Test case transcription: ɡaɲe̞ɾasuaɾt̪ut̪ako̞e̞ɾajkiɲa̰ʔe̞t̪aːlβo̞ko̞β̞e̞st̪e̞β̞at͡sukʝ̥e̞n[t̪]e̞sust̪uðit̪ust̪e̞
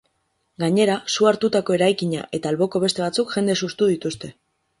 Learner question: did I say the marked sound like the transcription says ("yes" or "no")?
no